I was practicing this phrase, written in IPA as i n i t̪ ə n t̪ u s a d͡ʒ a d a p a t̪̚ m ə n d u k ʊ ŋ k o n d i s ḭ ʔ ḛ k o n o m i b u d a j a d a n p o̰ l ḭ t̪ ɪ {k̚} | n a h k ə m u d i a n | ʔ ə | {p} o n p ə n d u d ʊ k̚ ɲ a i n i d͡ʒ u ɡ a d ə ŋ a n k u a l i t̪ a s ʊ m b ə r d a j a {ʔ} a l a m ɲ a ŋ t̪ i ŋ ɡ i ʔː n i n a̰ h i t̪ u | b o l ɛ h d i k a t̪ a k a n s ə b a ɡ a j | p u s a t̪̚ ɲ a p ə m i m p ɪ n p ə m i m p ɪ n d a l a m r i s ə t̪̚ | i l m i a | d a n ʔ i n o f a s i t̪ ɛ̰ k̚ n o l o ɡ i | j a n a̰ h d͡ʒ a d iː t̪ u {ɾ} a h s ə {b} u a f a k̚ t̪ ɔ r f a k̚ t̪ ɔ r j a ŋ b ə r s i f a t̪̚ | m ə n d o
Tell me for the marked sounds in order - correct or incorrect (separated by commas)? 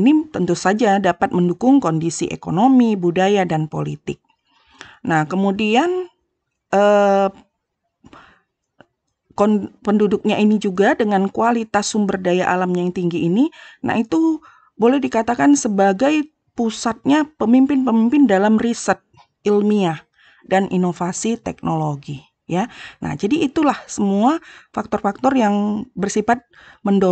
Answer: correct, incorrect, correct, incorrect, incorrect